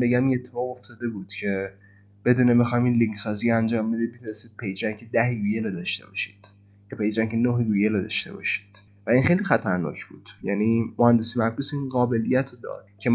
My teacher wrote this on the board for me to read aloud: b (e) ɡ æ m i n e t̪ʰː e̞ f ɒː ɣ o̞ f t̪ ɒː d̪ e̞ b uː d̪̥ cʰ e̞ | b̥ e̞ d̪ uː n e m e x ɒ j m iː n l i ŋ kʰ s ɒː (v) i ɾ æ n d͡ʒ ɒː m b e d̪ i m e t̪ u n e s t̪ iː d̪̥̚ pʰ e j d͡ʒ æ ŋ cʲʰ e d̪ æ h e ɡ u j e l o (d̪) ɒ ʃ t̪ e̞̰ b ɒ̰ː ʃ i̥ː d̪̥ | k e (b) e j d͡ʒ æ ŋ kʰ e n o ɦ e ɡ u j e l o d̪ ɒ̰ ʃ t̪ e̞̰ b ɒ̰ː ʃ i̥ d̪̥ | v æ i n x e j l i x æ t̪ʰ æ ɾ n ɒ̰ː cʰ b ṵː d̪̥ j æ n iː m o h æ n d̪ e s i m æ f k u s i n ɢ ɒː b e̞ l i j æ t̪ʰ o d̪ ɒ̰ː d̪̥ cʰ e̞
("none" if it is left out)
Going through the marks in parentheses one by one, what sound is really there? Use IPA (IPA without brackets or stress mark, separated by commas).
e, z, d̪, p